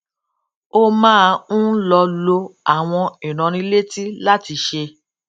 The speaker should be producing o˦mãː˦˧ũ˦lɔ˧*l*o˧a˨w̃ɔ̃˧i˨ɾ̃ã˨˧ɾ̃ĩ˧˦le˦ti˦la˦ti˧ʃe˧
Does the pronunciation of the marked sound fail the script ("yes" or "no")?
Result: no